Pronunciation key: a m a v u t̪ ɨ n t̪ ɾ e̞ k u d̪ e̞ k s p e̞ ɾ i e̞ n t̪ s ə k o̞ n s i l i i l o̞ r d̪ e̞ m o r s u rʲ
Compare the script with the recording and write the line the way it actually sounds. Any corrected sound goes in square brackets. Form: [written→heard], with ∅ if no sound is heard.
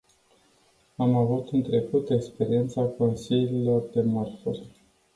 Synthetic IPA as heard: a m a v u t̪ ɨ n t̪ ɾ e̞ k u [d̪→t̪] e̞ k s p e̞ ɾ i e̞ n t̪ s [ə→a] k o̞ n s i l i i l o̞ r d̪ e̞ m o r [s→f] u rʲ